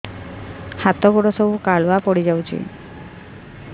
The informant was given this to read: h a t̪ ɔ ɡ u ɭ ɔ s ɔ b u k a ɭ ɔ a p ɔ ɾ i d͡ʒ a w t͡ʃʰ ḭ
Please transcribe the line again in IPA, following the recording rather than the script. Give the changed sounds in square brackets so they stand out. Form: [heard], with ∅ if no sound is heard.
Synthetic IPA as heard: h a t̪ ɔ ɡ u [ɽ] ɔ s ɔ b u k a ɭ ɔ a p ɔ [ɽ] i d͡ʒ a w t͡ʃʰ ḭ